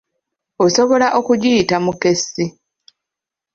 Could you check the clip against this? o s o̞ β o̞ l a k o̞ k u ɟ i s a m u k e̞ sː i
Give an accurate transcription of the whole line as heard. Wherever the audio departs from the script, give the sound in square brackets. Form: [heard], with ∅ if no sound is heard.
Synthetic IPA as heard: o s o̞ β o̞ l a [ʔ] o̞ k u ɟ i [t] a m u k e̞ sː i